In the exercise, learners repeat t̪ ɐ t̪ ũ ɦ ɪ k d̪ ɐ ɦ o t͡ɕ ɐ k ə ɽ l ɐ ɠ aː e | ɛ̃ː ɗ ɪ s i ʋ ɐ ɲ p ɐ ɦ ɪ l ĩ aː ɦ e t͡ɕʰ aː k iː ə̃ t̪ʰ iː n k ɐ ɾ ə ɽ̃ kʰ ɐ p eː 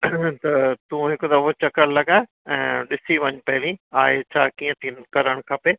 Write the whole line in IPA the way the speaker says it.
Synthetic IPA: t̪ ɐ t̪ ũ ɦ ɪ k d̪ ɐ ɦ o t͡ɕ ɐ k ə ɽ l ɐ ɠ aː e | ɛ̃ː ɗ ɪ s i ʋ ɐ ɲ p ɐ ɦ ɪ l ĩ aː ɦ e t͡ɕʰ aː k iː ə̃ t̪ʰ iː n k ɐ ɾ ə ɽ̃ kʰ ɐ p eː